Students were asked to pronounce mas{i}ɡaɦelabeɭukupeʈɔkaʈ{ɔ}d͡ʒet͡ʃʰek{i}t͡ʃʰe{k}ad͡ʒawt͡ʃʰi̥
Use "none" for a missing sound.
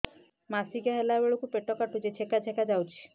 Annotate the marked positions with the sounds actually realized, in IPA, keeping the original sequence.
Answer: i, u, a, k

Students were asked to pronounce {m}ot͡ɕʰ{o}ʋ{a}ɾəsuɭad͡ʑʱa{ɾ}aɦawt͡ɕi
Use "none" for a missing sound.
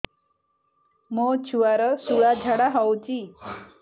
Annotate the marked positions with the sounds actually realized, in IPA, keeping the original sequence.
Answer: m, u, a, ɽ

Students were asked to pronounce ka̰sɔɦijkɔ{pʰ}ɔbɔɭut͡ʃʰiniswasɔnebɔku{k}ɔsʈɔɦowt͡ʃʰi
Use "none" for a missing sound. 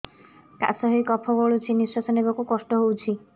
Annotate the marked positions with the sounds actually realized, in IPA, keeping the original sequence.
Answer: pʰ, k

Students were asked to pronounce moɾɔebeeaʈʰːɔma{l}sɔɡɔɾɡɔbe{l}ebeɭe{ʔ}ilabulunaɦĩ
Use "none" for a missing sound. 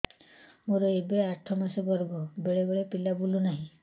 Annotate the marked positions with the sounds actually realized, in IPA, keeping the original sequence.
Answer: none, ɭ, p

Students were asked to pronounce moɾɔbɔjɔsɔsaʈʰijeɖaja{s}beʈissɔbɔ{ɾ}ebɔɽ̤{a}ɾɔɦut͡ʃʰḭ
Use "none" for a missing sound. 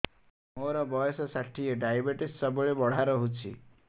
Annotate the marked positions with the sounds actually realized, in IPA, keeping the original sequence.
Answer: none, ɭ, a

